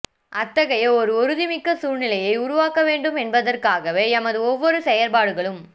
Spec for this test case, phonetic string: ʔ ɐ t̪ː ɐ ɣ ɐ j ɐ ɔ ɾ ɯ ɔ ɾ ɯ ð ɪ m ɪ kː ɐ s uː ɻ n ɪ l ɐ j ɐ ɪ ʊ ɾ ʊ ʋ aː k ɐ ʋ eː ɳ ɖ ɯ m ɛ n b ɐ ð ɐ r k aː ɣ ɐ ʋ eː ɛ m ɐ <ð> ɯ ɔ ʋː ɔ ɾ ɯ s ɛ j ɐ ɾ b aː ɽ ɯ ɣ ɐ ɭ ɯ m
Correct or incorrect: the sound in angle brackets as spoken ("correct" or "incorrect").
correct